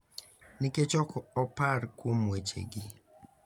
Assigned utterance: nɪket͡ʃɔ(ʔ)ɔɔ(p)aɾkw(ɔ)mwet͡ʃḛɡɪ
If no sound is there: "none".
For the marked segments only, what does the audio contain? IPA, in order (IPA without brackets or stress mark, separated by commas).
k, p, o